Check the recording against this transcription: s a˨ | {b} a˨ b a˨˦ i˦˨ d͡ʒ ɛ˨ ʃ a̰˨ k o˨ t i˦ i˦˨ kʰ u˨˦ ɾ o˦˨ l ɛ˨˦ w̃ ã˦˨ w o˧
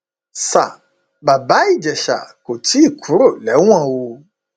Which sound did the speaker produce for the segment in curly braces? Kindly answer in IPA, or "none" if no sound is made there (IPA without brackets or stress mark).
b